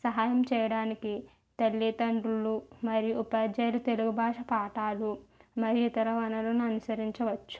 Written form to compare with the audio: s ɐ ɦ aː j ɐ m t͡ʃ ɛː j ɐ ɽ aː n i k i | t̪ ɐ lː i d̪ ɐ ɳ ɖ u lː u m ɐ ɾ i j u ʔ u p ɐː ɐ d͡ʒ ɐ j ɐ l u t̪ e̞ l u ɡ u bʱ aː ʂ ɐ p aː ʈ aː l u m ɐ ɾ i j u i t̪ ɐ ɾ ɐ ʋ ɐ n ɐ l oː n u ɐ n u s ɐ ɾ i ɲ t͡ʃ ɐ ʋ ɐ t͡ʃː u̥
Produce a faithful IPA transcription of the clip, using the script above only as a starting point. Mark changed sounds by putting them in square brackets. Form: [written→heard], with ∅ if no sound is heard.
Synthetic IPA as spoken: s ɐ ɦ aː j ɐ m t͡ʃ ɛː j ɐ ɽ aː n i k i | t̪ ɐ lː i [d̪→t̪] ɐ ɳ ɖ u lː u m ɐ ɾ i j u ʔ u p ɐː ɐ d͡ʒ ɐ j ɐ l u t̪ e̞ l u ɡ u bʱ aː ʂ ɐ p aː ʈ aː l u m ɐ ɾ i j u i t̪ ɐ ɾ ɐ ʋ ɐ n ɐ l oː n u ɐ n u s ɐ ɾ i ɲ t͡ʃ ɐ ʋ ɐ t͡ʃː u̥